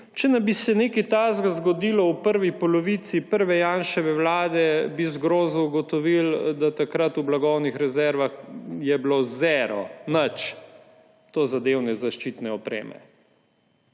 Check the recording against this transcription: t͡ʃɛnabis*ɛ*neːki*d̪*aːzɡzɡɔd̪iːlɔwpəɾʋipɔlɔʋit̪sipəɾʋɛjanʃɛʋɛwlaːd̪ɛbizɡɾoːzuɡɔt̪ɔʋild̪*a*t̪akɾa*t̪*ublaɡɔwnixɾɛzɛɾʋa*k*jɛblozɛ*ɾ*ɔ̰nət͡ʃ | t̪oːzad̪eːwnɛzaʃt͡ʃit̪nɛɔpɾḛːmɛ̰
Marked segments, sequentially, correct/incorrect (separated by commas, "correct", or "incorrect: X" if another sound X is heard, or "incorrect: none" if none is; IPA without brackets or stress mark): correct, incorrect: t̪, correct, correct, incorrect: x, correct